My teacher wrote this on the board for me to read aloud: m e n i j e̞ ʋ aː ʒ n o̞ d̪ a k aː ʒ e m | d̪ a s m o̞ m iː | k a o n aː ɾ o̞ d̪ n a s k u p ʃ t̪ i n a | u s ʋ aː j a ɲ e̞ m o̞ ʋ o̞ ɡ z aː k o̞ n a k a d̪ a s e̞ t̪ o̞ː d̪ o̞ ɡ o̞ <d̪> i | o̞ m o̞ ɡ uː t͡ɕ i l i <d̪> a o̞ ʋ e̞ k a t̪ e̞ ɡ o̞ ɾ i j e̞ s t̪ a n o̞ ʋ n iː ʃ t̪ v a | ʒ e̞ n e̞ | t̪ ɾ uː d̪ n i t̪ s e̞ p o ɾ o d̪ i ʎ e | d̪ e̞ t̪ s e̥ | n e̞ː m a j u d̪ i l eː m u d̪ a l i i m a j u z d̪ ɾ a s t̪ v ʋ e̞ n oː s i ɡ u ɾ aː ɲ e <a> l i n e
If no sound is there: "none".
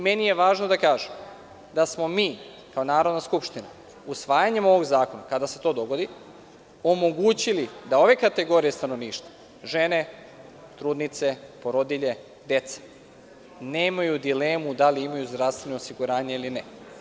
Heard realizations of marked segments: d̪, d̪, i

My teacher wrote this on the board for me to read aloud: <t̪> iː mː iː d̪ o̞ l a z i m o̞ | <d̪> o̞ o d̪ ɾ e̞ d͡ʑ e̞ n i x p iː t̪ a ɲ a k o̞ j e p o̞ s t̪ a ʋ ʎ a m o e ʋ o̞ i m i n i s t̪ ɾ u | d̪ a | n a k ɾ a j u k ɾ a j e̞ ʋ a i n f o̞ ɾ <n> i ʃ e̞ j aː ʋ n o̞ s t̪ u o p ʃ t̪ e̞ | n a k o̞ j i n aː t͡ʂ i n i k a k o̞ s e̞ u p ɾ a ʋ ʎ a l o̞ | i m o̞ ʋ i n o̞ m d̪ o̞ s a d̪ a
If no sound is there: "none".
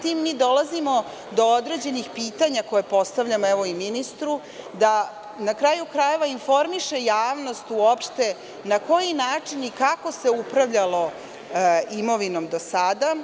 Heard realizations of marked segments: t̪, d̪, m

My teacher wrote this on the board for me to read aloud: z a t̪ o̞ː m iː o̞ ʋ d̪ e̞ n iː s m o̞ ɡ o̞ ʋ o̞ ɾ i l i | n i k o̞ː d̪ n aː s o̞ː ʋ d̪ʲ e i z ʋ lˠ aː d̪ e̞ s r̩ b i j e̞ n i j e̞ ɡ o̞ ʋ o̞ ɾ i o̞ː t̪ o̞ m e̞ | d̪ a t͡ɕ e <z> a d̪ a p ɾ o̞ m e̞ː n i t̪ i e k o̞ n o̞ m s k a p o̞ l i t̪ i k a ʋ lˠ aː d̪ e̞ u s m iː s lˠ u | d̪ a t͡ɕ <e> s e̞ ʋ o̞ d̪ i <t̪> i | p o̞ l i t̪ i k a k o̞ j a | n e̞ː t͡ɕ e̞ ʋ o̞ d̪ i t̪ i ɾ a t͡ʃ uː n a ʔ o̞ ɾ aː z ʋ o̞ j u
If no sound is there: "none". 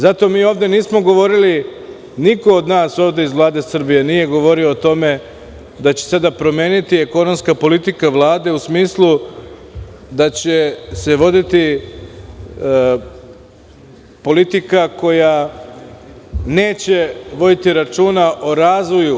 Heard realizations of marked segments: s, e, t̪

